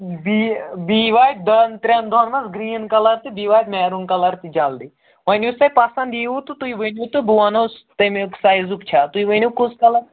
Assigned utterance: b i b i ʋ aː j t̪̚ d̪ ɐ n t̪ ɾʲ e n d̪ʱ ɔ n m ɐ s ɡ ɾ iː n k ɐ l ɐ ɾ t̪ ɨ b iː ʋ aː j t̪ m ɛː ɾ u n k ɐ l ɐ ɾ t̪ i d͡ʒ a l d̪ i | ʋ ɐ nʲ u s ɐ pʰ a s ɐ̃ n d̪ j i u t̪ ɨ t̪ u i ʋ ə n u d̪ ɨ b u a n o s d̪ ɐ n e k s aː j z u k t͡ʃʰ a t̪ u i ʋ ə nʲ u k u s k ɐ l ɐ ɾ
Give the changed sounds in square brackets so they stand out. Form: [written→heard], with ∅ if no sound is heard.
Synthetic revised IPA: b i b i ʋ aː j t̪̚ d̪ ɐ n t̪ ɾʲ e n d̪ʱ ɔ n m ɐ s ɡ ɾ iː n k ɐ l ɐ ɾ t̪ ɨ b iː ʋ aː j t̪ m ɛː ɾ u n k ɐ l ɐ ɾ t̪ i d͡ʒ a l d̪ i | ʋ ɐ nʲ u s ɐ [pʰ→p] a s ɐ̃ n d̪ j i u t̪ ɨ t̪ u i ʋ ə n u [d̪→t̪] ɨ b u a n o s [d̪→t̪] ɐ [n→m] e k s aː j z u k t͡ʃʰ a t̪ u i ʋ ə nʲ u k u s k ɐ l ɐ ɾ